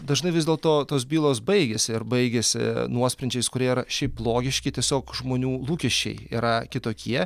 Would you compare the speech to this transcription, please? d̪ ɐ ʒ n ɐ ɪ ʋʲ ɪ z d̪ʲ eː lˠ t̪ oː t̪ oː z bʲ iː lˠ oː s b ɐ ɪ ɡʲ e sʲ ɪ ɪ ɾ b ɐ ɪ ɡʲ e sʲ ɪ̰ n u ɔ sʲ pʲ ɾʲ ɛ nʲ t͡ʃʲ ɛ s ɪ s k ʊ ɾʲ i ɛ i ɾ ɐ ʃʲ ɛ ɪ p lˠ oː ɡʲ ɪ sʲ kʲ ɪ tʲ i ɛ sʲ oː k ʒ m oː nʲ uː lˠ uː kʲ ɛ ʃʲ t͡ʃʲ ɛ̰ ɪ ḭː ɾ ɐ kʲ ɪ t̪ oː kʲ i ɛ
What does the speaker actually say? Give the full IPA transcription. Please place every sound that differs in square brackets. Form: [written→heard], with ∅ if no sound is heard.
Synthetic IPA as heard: d̪ ɐ ʒ n ɐ ɪ ʋʲ ɪ z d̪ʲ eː lˠ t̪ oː t̪ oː [z→s] bʲ iː lˠ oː s b ɐ ɪ ɡʲ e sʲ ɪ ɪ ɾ b ɐ ɪ ɡʲ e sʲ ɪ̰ n u ɔ sʲ pʲ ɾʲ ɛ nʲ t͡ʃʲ ɛ [s→∅] ɪ s k ʊ ɾʲ i ɛ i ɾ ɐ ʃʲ ɛ ɪ p lˠ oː ɡʲ ɪ [sʲ→ʃʲ] kʲ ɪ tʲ i ɛ sʲ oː k ʒ m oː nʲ uː lˠ uː kʲ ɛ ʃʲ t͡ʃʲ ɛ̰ ɪ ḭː ɾ ɐ kʲ ɪ t̪ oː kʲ i ɛ